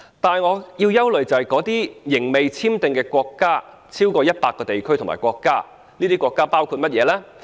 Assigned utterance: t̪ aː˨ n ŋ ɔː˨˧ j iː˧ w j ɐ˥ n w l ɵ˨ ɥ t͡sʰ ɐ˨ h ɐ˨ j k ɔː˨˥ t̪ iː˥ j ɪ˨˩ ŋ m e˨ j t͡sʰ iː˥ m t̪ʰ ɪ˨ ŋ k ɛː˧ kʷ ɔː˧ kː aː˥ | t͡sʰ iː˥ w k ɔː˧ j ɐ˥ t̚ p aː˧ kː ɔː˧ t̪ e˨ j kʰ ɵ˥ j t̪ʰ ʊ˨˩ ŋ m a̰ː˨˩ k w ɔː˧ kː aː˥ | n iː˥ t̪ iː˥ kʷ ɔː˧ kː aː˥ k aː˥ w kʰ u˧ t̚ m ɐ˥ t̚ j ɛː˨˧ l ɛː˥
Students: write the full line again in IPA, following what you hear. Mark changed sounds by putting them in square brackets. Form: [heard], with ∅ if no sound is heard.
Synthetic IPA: t̪ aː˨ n ŋ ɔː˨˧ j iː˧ w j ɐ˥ [∅] w l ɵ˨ ɥ [t͡s] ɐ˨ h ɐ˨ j k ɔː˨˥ t̪ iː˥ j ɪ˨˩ ŋ m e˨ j t͡sʰ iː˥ m [t̪] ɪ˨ ŋ k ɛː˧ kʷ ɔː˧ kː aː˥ | t͡sʰ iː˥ w k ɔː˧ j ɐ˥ t̚ p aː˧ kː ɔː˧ t̪ e˨ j kʰ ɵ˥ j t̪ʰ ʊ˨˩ ŋ m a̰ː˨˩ k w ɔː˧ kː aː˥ | n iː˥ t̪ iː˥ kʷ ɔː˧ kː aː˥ [p] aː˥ w kʰ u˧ t̚ m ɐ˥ t̚ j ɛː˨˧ l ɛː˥